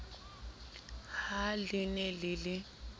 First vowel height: low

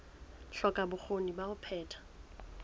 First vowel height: mid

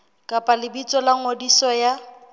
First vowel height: low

